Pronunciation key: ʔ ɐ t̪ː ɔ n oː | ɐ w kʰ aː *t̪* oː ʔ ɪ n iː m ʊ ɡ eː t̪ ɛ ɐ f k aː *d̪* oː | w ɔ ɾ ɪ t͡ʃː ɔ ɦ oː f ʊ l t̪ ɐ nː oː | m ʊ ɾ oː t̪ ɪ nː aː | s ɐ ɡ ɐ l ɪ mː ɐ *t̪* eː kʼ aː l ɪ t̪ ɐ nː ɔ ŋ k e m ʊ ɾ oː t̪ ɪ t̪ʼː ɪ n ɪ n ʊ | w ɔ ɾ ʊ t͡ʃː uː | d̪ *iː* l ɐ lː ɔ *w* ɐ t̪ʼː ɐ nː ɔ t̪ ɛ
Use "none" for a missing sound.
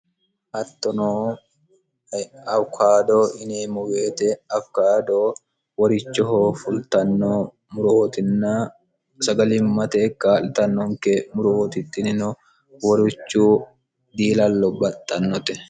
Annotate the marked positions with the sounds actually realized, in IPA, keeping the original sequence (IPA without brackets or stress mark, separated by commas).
d̪, d̪, t̪, iː, b